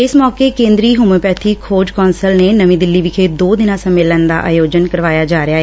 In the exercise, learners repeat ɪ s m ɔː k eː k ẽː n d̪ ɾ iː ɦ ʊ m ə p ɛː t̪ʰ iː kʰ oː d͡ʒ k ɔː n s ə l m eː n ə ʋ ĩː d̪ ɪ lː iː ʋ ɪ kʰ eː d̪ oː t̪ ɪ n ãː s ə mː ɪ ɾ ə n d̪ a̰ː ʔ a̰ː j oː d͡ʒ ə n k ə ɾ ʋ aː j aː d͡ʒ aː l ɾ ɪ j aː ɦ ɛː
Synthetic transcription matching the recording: ɪ s m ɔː k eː k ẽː n d̪ ɾ iː ɦ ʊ m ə p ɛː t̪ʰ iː kʰ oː d͡ʒ k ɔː n s ə l n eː n ə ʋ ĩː d̪ ɪ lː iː ʋ ɪ kʰ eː d̪ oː d̪ ɪ n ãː s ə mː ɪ l ə n d̪ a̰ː ʔ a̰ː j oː d͡ʒ ə n k ə ɾ ʋ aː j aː d͡ʒ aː ɾ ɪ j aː ɦ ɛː